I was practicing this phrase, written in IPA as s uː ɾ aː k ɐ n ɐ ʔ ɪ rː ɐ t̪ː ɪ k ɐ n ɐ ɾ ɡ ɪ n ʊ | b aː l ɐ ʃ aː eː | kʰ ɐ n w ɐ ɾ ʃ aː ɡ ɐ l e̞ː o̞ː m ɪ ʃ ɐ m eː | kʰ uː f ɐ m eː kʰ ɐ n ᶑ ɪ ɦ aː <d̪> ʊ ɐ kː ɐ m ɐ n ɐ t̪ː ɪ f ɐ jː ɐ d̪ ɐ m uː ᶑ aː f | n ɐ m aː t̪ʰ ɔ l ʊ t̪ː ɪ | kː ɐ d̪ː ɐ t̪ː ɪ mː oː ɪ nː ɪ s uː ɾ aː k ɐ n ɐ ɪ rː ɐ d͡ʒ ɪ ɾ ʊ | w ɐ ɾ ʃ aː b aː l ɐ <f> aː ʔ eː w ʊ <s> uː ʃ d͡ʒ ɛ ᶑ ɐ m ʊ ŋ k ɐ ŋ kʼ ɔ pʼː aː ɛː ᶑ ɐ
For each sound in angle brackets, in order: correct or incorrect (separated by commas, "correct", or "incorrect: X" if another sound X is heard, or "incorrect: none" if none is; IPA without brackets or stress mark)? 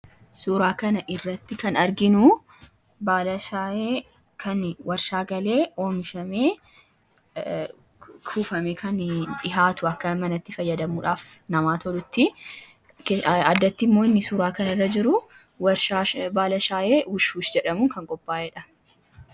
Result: incorrect: t̪, incorrect: ʃ, incorrect: ʃ